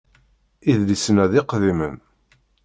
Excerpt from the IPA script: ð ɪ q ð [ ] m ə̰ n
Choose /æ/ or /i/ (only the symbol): i